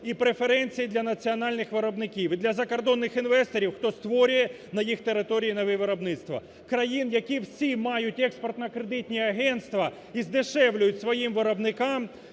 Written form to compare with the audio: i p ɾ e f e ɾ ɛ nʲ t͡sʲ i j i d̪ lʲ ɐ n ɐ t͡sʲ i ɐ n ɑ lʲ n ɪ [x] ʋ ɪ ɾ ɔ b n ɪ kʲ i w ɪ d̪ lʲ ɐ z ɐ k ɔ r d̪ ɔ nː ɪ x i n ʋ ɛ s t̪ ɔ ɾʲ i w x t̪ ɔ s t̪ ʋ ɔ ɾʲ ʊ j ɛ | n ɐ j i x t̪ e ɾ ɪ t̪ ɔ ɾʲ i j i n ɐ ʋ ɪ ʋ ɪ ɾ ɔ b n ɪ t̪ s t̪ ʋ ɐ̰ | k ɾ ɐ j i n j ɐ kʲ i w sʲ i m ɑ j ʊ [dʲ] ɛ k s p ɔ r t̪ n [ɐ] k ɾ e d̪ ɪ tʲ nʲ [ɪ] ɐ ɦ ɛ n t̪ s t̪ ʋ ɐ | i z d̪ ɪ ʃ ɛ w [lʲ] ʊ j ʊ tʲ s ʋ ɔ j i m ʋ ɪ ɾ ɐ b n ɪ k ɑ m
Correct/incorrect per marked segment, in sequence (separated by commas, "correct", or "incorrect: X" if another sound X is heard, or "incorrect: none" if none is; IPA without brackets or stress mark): correct, incorrect: tʲ, correct, incorrect: i, correct